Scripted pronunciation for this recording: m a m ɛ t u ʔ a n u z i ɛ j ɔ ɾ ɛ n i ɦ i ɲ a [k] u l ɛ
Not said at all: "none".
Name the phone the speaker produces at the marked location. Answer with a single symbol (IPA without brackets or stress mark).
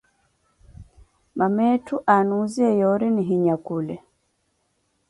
k